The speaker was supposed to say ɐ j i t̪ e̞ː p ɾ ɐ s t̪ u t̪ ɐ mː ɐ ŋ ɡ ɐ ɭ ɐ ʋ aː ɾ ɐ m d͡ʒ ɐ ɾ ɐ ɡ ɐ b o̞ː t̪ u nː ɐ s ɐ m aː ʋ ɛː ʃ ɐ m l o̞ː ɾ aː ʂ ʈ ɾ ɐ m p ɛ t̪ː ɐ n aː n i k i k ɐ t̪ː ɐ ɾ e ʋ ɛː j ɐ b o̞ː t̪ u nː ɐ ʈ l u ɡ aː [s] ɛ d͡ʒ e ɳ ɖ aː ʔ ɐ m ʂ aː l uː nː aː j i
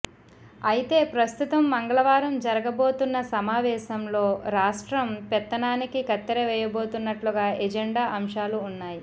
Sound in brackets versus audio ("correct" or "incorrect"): incorrect